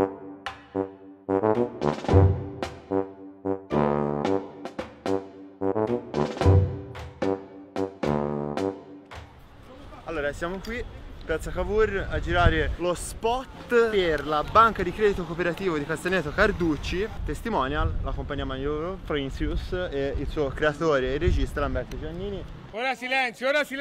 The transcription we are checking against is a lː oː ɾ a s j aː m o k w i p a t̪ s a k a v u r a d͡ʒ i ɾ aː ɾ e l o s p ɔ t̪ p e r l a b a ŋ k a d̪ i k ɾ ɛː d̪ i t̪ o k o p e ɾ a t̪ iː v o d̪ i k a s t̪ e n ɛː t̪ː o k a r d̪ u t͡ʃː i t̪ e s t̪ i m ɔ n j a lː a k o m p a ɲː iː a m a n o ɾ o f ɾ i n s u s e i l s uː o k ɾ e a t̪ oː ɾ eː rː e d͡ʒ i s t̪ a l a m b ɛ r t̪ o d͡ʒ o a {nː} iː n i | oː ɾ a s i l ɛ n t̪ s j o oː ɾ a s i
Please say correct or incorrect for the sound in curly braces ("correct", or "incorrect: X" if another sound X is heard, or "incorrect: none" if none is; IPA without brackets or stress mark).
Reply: correct